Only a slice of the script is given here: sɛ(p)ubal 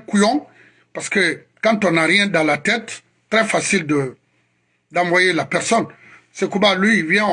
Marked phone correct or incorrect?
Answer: incorrect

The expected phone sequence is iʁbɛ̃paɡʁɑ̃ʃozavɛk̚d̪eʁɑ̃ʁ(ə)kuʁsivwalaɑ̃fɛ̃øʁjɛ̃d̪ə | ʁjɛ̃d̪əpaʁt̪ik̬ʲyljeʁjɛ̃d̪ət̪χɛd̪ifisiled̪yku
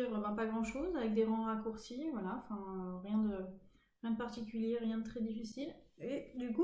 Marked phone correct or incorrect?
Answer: incorrect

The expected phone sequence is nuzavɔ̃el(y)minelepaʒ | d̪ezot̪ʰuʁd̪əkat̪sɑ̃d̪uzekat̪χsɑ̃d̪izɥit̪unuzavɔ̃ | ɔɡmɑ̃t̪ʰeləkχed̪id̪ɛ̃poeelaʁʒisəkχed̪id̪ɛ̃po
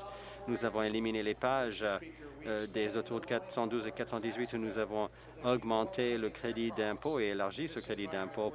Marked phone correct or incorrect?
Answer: incorrect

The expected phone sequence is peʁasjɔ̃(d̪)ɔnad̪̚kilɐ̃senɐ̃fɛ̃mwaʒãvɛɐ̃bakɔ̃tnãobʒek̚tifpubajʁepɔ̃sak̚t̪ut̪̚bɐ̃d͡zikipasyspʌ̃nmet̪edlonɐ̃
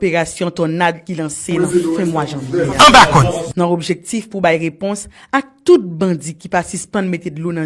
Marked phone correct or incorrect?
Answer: incorrect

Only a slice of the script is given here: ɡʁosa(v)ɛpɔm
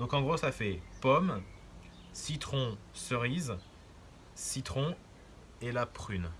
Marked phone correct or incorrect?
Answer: incorrect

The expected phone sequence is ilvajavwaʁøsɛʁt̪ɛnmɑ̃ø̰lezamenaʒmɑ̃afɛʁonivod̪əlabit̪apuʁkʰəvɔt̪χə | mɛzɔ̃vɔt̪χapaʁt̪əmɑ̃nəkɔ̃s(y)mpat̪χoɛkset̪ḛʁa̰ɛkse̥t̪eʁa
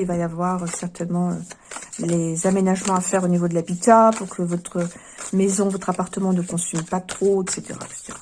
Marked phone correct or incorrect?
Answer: correct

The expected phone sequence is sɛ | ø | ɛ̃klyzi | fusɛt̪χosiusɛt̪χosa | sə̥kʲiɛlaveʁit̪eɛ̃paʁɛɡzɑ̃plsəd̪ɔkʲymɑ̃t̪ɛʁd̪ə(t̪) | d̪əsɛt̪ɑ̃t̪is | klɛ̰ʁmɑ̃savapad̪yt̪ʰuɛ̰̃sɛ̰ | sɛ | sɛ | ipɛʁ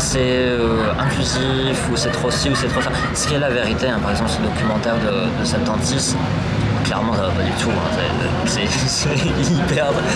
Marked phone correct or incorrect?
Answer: incorrect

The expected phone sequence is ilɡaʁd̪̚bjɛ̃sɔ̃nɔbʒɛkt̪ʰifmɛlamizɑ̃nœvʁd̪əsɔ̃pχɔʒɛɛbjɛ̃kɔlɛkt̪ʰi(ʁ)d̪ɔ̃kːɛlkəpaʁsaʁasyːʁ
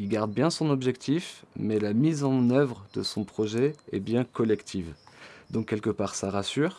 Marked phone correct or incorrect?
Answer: incorrect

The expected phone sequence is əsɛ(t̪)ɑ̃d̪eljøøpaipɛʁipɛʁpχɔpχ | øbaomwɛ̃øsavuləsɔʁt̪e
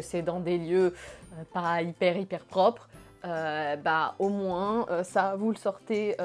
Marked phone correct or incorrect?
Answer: incorrect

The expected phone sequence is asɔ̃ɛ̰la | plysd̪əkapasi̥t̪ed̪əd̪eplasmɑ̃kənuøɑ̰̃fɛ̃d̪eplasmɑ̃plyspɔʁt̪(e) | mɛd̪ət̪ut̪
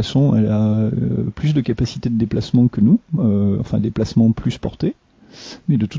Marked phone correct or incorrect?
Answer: correct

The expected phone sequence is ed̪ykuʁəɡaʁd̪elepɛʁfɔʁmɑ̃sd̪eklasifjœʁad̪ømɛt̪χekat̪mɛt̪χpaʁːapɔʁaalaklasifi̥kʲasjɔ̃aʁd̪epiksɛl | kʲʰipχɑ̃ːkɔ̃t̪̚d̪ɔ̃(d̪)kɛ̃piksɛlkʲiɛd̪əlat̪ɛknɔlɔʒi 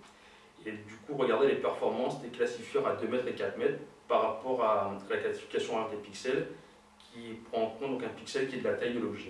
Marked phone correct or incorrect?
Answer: incorrect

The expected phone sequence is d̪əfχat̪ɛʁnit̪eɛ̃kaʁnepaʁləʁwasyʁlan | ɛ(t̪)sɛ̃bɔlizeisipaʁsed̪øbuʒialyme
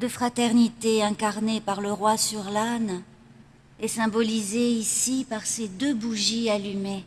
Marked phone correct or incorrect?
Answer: incorrect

